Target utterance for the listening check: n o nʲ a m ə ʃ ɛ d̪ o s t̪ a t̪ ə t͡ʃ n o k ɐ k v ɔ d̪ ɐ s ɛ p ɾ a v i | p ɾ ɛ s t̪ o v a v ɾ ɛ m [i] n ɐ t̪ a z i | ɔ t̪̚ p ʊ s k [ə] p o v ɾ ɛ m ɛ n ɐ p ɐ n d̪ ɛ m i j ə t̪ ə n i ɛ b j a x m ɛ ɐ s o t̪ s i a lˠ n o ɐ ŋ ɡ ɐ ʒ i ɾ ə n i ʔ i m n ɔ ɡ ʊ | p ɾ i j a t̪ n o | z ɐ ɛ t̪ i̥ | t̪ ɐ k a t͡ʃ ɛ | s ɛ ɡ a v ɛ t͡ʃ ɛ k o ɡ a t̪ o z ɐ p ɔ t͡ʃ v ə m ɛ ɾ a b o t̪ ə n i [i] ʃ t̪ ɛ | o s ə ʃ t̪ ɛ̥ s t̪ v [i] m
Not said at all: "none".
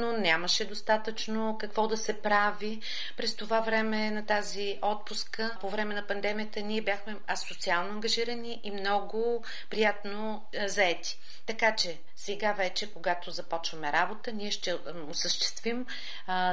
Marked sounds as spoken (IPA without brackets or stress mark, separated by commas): ɛ, ə, ɛ, i